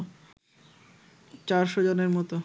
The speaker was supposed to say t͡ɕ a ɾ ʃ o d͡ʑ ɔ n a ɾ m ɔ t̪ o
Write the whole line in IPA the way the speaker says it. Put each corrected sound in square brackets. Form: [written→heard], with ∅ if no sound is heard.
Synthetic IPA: t͡ɕ a ɾ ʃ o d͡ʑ [ɔ→o] n [a→e] ɾ m ɔ t̪ o